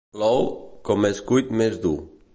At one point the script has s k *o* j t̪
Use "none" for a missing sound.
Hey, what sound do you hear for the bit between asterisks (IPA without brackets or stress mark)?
u